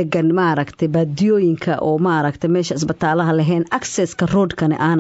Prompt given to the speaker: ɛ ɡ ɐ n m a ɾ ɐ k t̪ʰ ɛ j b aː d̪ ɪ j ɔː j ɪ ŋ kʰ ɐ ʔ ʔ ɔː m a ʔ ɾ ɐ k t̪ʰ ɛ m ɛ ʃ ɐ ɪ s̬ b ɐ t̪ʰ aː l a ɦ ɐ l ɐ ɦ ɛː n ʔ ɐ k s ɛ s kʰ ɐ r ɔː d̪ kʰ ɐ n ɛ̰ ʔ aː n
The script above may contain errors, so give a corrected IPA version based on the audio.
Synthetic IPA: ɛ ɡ ɐ n m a ɾ ɐ k t̪ʰ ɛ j b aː d̪ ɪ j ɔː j ɪ ŋ kʰ ɐ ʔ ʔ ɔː m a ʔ ɾ ɐ k t̪ʰ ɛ m ɛː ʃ ɐ ɪ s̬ b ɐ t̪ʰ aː l ɐ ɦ ɐ l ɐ ɦ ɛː n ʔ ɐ k s ɛ s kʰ ɐ r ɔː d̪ kʰ ɐ n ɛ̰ ʔ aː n